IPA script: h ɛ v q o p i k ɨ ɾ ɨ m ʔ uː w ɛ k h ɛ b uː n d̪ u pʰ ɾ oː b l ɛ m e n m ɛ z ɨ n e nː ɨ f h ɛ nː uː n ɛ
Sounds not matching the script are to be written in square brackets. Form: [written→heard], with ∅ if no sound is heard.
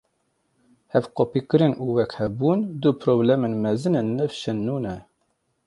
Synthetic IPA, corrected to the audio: h ɛ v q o p i k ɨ ɾ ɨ [m→n] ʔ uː w ɛ k h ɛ b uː n d̪ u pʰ ɾ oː b l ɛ m e n m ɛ z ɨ n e nː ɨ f [h→ʃ] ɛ nː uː n ɛ